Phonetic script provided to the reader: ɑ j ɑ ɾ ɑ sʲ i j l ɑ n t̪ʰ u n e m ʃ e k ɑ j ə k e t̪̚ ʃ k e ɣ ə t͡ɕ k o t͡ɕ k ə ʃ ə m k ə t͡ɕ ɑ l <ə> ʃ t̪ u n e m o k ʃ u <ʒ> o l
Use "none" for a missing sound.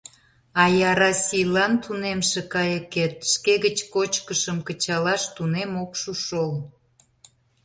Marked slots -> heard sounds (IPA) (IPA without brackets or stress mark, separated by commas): ɑ, ʃ